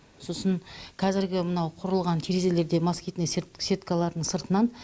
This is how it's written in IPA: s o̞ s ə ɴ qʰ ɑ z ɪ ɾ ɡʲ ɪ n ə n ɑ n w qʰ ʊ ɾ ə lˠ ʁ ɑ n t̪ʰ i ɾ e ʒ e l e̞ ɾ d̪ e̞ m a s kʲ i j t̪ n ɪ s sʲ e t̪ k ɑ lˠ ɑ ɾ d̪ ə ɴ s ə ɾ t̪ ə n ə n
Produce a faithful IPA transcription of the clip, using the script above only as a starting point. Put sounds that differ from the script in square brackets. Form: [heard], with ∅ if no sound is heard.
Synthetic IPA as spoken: s o̞ s ə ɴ qʰ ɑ z ɪ ɾ ɡʲ ɪ [m] ə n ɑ [∅] w qʰ ʊ ɾ ə lˠ ʁ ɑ n t̪ʰ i ɾ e [z] e l e̞ ɾ d̪ e̞ m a s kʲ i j t̪ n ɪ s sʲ e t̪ k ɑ lˠ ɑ ɾ d̪ ə ɴ s ə ɾ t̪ ə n [ɑ] n